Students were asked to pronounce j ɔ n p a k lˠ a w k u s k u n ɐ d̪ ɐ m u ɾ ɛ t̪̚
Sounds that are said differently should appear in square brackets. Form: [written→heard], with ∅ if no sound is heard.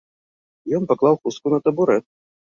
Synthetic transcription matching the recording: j ɔ n p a k lˠ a w [k→x] u s k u n ɐ [d̪→t̪] ɐ [m→b] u ɾ ɛ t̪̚